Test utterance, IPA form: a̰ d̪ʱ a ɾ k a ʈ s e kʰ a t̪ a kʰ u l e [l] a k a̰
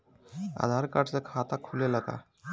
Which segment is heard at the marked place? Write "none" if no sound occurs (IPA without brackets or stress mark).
l